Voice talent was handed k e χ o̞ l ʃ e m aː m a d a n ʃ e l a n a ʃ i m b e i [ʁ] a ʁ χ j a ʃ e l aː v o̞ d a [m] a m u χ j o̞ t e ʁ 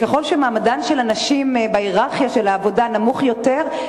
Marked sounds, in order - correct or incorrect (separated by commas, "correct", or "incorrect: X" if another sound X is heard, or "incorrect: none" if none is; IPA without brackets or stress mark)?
correct, incorrect: n